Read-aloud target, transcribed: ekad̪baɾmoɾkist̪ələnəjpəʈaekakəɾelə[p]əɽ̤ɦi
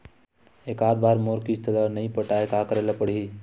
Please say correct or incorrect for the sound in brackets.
correct